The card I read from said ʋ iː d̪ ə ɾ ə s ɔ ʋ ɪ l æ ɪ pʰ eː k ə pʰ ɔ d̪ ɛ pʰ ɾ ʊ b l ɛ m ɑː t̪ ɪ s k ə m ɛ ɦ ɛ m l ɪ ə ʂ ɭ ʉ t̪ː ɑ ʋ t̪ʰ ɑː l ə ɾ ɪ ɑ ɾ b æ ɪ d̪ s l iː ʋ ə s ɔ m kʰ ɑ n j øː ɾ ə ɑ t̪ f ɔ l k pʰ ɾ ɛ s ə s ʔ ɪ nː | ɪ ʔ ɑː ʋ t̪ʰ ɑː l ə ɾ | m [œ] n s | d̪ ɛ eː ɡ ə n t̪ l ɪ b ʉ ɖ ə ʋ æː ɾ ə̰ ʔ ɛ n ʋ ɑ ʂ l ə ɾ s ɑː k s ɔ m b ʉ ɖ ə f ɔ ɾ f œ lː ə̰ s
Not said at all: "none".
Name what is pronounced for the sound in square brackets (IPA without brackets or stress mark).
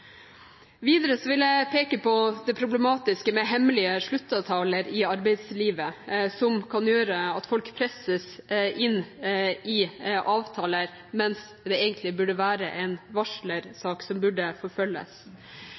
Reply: ɛ